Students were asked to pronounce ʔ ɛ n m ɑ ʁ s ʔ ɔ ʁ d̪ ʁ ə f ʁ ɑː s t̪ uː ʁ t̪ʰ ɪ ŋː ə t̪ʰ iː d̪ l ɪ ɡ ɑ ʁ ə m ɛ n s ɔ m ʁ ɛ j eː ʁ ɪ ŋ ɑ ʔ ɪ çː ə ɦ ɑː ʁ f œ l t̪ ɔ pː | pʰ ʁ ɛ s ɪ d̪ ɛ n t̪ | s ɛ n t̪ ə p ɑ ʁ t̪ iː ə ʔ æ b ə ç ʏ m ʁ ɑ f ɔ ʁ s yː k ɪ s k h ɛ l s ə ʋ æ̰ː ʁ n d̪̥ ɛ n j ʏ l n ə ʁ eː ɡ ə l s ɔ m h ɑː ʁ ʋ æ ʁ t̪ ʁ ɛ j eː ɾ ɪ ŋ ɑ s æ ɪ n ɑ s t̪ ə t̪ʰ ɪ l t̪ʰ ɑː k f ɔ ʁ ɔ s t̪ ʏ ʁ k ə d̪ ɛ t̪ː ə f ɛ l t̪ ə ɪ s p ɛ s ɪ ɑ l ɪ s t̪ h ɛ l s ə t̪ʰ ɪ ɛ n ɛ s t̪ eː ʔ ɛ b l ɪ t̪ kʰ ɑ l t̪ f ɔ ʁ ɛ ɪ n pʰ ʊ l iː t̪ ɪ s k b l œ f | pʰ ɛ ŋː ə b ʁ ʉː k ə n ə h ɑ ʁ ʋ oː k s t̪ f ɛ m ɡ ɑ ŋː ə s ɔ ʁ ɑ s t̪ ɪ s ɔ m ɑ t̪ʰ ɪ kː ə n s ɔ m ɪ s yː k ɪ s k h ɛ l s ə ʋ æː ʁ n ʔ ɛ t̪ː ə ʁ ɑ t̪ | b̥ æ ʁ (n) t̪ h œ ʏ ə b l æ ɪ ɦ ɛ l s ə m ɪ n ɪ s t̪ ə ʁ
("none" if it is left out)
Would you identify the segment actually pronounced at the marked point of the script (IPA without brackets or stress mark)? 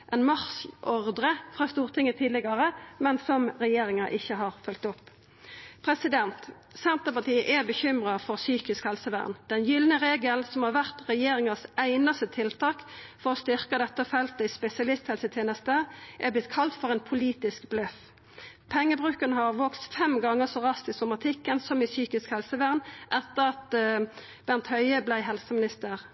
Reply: n